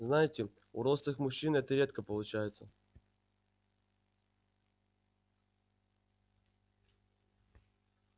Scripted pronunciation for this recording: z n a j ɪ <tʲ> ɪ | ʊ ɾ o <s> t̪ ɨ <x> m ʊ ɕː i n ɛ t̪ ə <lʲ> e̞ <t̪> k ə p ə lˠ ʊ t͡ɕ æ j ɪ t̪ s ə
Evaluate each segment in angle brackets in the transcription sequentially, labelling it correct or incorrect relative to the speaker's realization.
correct, correct, correct, incorrect, correct

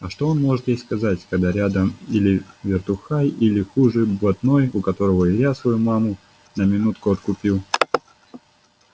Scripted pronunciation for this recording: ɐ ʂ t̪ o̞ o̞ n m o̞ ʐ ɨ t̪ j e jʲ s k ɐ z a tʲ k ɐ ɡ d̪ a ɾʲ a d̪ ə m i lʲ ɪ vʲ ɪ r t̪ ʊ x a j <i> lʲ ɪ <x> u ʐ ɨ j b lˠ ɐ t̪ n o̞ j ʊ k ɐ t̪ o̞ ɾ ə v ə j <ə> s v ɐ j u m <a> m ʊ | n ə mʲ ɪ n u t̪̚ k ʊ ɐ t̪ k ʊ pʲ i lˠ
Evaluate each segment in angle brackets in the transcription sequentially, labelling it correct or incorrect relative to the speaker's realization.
correct, correct, incorrect, correct

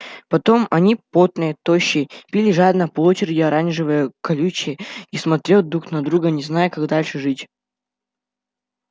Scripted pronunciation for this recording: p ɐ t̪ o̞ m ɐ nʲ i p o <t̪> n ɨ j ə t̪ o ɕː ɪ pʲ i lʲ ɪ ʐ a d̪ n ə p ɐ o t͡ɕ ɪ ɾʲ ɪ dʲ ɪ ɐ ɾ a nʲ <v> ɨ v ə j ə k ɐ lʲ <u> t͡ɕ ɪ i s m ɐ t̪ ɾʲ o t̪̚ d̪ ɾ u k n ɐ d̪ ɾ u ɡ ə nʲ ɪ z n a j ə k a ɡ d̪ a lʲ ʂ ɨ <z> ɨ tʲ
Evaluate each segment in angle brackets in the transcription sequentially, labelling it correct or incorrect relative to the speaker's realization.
correct, incorrect, correct, incorrect

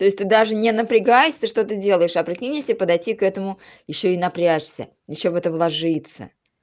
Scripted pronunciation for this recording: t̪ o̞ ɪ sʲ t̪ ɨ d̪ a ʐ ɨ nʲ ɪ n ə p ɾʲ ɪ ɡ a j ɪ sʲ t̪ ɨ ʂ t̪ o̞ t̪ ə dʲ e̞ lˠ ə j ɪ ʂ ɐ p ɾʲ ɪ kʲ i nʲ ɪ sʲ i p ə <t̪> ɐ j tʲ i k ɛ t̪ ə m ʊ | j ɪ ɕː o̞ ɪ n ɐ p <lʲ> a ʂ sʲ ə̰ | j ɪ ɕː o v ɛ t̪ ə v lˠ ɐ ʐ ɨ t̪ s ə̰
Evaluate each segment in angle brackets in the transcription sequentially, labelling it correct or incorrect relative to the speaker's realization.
incorrect, incorrect

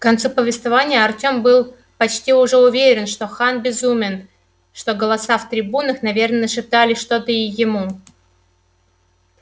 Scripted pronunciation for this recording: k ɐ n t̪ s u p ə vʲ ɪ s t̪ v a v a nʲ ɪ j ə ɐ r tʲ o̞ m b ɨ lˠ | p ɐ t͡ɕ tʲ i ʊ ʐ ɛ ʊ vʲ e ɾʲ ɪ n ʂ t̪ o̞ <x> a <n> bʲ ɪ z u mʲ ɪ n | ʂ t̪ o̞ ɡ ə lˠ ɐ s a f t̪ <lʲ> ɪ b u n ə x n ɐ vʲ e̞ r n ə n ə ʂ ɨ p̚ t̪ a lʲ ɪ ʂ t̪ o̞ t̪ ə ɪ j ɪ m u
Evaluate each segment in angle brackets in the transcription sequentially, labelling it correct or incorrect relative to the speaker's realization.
correct, correct, incorrect

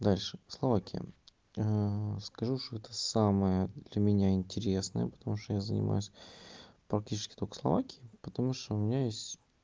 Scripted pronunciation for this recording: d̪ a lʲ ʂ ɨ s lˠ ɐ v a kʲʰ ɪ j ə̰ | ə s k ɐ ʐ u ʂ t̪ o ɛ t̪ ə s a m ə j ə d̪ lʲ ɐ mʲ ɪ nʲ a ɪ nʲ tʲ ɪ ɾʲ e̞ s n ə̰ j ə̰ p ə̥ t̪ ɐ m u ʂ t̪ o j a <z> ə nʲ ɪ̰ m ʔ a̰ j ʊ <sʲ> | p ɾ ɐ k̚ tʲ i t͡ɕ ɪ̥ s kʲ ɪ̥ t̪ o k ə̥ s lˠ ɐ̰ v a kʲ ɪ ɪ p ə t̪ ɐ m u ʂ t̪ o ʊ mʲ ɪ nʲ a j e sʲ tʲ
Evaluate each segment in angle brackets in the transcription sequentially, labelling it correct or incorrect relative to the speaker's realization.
correct, correct

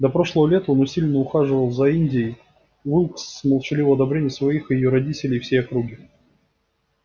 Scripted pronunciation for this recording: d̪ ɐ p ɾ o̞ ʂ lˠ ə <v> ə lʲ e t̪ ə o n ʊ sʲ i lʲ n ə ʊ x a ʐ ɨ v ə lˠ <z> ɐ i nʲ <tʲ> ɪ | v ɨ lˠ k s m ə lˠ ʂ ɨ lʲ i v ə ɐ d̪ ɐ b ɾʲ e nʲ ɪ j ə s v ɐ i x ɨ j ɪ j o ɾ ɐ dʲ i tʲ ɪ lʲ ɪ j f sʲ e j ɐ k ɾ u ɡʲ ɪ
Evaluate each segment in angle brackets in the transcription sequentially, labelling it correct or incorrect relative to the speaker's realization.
correct, correct, incorrect

